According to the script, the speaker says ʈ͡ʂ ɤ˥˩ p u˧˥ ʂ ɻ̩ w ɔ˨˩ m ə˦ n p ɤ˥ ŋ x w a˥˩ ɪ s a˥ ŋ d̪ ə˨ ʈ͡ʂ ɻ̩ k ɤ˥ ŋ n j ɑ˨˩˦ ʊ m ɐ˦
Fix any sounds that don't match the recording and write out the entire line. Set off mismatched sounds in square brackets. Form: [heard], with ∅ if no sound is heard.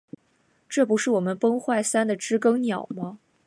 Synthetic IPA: ʈ͡ʂ ɤ˥˩ p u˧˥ ʂ ɻ̩ w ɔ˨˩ m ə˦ n p ɤ˥ ŋ x w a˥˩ ɪ s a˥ [n] d̪ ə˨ ʈ͡ʂ ɻ̩ k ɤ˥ ŋ n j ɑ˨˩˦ ʊ m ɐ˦